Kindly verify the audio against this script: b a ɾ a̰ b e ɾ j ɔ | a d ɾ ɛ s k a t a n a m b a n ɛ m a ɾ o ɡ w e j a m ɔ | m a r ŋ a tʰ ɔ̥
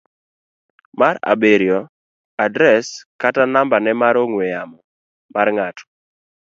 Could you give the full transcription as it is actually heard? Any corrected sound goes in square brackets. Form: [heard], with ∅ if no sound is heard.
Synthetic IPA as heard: [m] a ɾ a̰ b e ɾ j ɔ | a d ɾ ɛ s k a t a n a m b a n ɛ m a ɾ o [ŋ] w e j a m ɔ | m a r ŋ a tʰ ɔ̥

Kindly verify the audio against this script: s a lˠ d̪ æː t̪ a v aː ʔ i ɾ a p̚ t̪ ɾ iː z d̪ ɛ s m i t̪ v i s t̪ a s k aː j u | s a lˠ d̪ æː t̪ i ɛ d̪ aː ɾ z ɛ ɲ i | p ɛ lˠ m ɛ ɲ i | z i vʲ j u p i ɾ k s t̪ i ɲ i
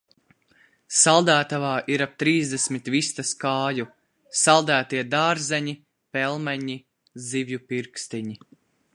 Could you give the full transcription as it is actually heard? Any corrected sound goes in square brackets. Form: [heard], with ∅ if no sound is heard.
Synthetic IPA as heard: s a lˠ d̪ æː t̪ a v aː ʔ i ɾ a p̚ t̪ ɾ iː z d̪ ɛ s m i t̪ v i s t̪ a s k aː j u | s a lˠ d̪ æː t̪ i ɛ d̪ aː ɾ z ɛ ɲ i | p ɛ lˠ m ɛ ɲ i | z i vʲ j u p i ɾ k s t̪ i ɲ i

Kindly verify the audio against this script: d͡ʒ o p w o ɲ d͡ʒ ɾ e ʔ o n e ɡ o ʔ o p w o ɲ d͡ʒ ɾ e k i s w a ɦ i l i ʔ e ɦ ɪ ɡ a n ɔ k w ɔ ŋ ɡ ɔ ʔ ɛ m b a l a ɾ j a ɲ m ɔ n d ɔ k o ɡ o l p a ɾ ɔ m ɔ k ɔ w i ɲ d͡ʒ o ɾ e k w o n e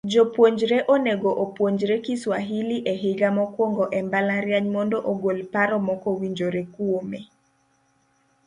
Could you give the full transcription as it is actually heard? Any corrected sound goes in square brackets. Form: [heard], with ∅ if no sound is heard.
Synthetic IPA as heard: d͡ʒ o p w o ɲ d͡ʒ ɾ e ʔ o n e ɡ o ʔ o p w o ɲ d͡ʒ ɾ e k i s w a ɦ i l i ʔ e ɦ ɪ ɡ a [m] ɔ k w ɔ ŋ ɡ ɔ ʔ ɛ m b a l a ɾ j a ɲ m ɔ n d ɔ [ʔ] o ɡ o l p a ɾ ɔ m ɔ k ɔ w i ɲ d͡ʒ o ɾ e k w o [m] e

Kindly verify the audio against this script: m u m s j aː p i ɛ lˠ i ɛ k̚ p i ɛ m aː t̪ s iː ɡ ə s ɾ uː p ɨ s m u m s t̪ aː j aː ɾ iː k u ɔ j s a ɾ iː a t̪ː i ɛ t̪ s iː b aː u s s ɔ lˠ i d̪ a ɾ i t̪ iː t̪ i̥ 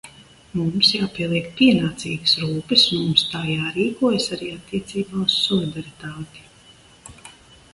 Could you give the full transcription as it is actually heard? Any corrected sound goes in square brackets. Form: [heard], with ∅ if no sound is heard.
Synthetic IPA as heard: m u m s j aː p i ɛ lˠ i ɛ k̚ p i ɛ [n] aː t̪ s iː ɡ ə s ɾ uː p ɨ s m u m s t̪ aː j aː ɾ iː k u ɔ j s a ɾ iː a t̪ː i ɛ t̪ s iː b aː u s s ɔ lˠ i d̪ a ɾ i t̪ [aː] t̪ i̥

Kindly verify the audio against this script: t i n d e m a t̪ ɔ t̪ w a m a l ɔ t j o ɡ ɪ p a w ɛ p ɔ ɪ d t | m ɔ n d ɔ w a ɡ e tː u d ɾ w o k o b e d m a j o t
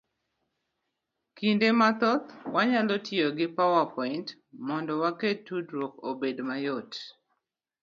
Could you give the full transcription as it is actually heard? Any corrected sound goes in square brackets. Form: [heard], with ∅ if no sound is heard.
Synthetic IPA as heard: [k] i n d e m a t̪ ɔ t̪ w a [ɲ] a l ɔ t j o ɡ ɪ p a w [a] p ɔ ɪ [n] t | m ɔ n d ɔ w a [k] e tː u d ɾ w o k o b e d m a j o t

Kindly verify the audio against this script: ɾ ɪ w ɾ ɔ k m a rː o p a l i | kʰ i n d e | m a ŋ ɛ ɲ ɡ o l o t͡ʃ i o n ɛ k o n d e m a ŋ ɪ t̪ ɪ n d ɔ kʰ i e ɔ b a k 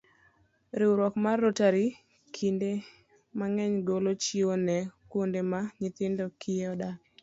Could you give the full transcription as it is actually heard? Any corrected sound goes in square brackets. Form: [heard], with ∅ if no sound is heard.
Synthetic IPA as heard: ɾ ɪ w ɾ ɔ k m a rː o [t] a [ɾ] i | kʰ i n d e | m a ŋ ɛ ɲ ɡ o l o t͡ʃ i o n ɛ k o n d e m a [ɲ] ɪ t̪ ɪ n d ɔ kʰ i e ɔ [d] a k

